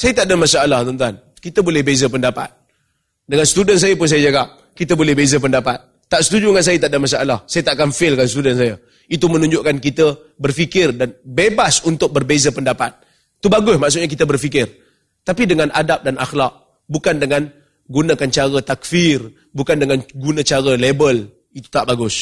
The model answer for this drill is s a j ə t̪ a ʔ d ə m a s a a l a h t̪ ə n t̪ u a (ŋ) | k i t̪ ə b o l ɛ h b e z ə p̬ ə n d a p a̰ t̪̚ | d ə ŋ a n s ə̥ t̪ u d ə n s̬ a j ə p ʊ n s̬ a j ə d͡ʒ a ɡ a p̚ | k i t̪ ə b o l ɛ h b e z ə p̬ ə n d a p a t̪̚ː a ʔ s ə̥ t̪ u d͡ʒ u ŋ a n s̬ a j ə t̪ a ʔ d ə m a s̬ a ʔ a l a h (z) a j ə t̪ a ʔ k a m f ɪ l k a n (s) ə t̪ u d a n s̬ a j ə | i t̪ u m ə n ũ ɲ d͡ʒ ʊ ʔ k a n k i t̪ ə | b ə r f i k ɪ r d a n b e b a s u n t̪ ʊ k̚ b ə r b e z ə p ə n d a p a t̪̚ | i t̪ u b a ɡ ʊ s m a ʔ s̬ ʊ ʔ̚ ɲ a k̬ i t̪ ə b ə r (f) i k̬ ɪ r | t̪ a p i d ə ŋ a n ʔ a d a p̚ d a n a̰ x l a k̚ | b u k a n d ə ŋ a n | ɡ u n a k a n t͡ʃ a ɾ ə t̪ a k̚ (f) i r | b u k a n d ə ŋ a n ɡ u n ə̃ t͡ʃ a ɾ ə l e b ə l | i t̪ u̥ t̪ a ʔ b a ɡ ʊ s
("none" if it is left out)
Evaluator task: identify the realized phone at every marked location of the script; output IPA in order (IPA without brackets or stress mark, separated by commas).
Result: n, s, s, f, f